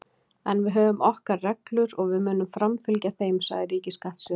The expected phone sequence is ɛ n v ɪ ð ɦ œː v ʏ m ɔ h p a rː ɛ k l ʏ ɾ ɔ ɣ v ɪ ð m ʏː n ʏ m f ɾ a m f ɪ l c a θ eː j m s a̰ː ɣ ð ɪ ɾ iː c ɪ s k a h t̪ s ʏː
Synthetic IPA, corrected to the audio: ɛ n v ɪ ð ɦ œː v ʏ m ɔ h k a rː ɛ k l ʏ ɾ ɔ ɣ v ɪ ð m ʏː n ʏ m f ɾ a m f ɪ l c a θ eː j m s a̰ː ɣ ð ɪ ɾ iː c ɪ s k a h t̪ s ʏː